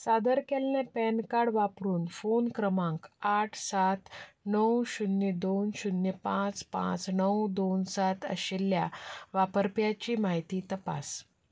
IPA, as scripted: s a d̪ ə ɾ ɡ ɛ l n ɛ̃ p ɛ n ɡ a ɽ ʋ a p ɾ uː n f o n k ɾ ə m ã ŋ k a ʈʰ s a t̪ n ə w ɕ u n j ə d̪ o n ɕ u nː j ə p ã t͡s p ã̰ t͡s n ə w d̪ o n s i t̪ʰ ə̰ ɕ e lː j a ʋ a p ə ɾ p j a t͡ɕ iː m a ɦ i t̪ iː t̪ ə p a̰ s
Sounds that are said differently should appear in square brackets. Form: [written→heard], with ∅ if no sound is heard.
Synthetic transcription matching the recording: s a d̪ ə ɾ [ɡ→k] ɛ l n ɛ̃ p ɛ n [ɡ→k] a ɽ ʋ a p ɾ uː n f o n k ɾ ə m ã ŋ k a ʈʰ s a t̪ n ə w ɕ u n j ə d̪ o n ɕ u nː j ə p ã t͡s p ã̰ t͡s n ə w d̪ o n s [i→a] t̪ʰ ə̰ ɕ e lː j a ʋ a p ə ɾ p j a t͡ɕ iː m a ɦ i t̪ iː t̪ ə p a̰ s